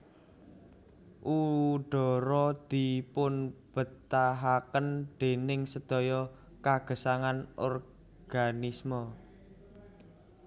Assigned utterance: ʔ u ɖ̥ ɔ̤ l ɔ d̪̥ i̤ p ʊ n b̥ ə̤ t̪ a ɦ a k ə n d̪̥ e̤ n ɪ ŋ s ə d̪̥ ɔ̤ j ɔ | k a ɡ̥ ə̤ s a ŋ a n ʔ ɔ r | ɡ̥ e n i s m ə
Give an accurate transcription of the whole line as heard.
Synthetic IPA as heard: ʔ u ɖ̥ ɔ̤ ɾ ɔ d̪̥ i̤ p ʊ n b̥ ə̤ t̪ a ɦ a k ə n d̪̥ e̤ n ɪ ŋ s ə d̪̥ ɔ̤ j ɔ | k a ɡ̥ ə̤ s a ŋ a n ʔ ɔ r | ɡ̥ a n i s m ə